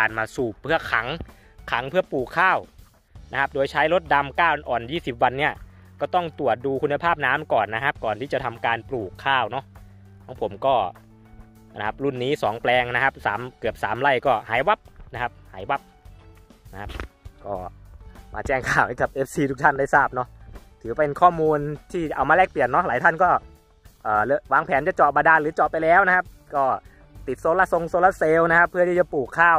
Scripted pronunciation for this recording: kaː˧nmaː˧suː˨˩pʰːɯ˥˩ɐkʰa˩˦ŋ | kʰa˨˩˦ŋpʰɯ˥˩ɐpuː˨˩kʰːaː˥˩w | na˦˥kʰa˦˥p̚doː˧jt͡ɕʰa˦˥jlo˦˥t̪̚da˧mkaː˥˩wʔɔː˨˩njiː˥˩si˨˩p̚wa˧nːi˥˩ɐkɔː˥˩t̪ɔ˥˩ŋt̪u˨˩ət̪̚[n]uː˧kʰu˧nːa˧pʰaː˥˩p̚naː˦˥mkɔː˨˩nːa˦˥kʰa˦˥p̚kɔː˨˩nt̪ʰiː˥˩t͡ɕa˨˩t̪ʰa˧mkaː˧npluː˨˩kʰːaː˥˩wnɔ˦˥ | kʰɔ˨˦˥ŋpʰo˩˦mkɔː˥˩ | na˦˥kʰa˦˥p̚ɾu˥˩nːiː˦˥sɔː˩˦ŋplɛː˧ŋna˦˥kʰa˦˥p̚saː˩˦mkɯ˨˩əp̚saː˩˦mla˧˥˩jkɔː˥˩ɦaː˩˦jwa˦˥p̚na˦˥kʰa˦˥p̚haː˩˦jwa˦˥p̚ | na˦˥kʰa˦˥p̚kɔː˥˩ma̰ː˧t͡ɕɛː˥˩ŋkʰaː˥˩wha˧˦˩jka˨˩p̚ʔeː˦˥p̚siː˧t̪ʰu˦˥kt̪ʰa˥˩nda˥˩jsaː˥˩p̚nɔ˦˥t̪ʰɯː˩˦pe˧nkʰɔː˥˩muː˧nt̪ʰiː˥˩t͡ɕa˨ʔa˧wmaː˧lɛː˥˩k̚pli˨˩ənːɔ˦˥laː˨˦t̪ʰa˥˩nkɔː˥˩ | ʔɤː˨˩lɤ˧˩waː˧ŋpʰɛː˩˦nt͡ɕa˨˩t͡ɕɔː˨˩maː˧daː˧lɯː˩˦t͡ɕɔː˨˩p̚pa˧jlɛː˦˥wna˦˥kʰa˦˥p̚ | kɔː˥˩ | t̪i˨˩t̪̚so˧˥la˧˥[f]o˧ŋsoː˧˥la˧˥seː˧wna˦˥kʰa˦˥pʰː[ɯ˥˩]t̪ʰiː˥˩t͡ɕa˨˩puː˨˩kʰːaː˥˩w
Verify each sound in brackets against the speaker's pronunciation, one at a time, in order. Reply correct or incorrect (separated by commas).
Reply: incorrect, incorrect, correct